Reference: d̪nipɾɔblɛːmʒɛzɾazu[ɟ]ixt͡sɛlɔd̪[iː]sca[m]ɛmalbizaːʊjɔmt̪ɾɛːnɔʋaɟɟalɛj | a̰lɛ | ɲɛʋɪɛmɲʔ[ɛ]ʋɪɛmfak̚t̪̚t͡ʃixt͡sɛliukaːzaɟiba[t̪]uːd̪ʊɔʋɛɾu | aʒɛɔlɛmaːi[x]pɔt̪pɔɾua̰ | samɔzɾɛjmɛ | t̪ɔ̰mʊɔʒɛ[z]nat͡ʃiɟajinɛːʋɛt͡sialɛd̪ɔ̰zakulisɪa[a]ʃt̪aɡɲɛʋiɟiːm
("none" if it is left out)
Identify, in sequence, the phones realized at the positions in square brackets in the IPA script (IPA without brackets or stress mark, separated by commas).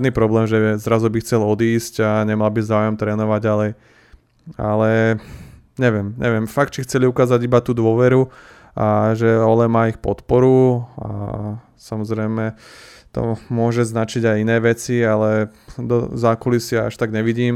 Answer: b, iː, ɲ, ɛ, t̪, x, z, a